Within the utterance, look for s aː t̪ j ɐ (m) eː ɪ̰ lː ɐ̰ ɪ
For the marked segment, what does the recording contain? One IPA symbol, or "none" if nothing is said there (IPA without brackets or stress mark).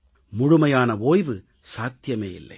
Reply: m